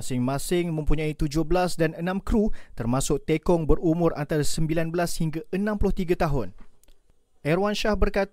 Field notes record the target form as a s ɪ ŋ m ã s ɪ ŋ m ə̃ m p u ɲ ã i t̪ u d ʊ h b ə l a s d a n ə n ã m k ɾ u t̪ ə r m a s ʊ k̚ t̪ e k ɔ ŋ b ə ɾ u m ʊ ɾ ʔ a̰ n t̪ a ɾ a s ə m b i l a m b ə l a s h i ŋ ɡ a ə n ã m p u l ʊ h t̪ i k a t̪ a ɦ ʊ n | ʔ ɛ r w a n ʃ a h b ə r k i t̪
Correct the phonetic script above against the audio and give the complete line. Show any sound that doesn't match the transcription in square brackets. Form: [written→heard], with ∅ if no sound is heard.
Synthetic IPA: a s ɪ ŋ m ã s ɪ ŋ m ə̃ m p u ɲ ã i t̪ u [d→d͡ʒ] ʊ h b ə l a s d a n ə n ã m k ɾ u t̪ ə r m a s ʊ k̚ t̪ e k ɔ ŋ b ə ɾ u m ʊ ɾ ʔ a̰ n t̪ a ɾ a s ə m b i l a [m→n] b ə l a s h i ŋ ɡ a ə n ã m p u l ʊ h t̪ i [k→ɡ] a t̪ a ɦ ʊ n | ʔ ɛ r w a n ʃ a h b ə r k [i→a] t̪